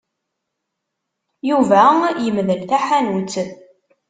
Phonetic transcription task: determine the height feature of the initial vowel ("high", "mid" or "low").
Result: high